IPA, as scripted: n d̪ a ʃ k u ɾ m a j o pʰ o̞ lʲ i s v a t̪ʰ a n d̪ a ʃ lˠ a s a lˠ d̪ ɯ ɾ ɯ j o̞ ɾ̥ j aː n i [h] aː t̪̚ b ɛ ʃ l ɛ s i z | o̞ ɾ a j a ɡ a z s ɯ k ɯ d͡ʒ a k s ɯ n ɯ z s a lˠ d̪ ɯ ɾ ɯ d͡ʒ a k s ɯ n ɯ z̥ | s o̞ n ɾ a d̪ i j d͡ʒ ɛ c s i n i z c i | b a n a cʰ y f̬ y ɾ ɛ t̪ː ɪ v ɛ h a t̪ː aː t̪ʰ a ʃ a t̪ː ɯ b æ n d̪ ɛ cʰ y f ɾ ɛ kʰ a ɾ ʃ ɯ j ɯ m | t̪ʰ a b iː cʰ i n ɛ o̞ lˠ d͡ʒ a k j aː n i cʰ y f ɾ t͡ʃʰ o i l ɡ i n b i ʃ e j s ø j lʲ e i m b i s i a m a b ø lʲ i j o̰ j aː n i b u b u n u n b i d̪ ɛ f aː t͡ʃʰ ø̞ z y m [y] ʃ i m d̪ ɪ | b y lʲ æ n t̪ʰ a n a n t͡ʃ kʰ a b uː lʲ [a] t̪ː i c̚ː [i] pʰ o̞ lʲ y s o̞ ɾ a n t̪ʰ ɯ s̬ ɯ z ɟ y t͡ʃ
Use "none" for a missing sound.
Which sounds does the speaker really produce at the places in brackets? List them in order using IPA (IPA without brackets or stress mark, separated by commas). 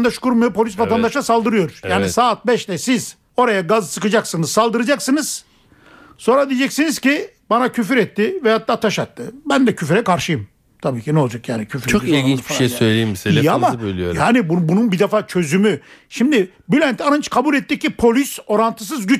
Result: s, y, ɛ, i